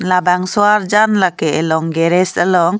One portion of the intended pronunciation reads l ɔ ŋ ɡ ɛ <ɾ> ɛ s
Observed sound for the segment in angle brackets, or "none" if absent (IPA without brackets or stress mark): ɾ